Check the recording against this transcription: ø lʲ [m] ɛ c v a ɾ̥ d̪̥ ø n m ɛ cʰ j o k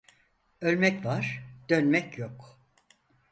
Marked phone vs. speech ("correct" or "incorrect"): correct